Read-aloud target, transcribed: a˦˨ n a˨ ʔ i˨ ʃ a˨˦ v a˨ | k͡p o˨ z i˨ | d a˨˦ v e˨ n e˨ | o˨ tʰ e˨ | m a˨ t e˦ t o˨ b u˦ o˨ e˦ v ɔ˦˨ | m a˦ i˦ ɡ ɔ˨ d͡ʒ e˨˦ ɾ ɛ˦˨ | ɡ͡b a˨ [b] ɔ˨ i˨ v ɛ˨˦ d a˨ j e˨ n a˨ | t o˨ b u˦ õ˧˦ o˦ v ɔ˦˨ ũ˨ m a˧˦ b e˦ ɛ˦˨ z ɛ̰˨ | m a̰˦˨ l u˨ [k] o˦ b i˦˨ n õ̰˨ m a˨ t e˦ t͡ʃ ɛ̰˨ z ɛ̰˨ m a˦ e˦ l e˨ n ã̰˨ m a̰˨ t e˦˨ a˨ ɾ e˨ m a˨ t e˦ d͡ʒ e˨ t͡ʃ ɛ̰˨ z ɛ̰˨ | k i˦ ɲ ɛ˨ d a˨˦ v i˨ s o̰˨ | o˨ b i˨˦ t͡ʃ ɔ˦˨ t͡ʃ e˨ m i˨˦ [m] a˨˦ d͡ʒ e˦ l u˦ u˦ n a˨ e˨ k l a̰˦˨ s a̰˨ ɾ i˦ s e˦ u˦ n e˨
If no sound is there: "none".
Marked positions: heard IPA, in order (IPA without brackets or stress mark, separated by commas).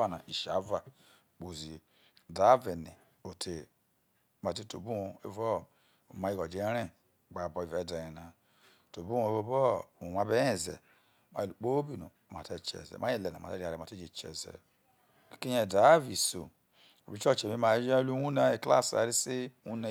b, k͡p, m